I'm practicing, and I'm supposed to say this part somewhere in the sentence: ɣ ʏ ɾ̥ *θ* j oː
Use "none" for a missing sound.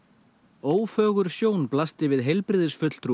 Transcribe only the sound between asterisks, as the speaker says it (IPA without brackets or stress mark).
s